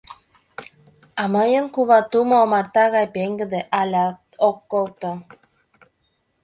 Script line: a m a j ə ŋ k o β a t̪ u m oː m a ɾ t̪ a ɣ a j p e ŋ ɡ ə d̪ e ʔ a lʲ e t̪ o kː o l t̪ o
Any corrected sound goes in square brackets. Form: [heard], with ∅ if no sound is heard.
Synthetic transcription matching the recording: a m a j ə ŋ k [u] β a t̪ u m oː m a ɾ t̪ a ɣ a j p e ŋ ɡ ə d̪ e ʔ a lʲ [a] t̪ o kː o l t̪ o